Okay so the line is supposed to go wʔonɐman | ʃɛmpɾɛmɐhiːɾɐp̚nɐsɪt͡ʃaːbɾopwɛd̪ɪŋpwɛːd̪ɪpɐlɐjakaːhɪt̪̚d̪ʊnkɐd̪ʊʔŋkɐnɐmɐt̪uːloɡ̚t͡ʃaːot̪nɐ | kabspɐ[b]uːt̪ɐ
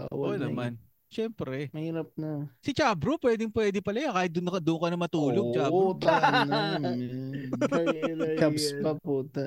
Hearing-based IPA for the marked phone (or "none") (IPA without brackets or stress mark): p